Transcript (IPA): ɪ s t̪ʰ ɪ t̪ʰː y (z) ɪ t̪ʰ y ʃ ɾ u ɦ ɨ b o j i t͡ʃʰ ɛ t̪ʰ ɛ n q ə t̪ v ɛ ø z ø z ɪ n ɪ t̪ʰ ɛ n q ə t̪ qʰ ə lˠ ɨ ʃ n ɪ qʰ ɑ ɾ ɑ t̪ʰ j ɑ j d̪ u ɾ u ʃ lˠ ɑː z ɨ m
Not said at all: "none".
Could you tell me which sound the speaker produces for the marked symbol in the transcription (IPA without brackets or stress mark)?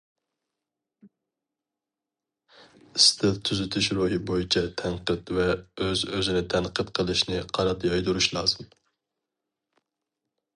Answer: z